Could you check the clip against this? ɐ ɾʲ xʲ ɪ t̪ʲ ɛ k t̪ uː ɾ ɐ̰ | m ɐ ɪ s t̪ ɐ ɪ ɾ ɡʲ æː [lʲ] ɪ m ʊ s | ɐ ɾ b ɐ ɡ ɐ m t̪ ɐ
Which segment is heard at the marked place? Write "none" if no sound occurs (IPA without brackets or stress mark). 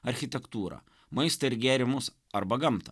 ɾʲ